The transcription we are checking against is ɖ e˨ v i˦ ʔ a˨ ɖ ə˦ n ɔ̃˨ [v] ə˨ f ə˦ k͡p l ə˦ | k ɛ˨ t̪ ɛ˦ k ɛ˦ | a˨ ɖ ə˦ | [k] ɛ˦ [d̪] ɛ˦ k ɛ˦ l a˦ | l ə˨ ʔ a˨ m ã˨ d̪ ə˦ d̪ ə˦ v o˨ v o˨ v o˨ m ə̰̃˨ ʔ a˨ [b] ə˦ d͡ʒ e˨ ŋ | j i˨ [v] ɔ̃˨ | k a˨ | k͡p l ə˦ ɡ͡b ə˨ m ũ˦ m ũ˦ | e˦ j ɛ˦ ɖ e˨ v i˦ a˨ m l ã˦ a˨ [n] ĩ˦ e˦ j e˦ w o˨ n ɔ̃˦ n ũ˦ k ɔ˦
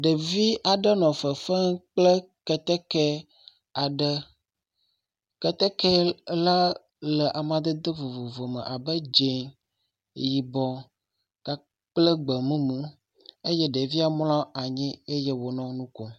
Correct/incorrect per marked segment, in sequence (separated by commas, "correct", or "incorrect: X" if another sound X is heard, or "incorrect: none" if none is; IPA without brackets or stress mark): incorrect: f, correct, incorrect: t̪, correct, incorrect: b, incorrect: ɲ